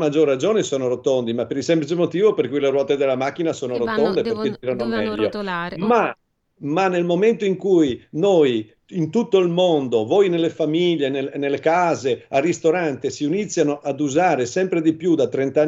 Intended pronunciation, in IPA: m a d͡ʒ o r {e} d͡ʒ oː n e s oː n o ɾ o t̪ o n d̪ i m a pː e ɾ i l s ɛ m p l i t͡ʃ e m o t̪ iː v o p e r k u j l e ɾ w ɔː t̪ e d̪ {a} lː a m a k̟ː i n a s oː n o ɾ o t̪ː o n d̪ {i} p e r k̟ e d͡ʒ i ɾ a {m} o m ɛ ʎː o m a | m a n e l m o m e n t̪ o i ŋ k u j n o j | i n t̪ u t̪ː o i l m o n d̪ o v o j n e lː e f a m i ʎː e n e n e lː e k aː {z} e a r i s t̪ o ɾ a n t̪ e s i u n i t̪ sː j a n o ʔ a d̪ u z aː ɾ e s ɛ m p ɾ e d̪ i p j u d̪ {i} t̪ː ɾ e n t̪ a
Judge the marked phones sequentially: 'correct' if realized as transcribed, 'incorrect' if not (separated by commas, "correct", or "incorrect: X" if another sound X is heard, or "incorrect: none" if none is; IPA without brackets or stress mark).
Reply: incorrect: a, incorrect: e, incorrect: e, incorrect: n, correct, incorrect: a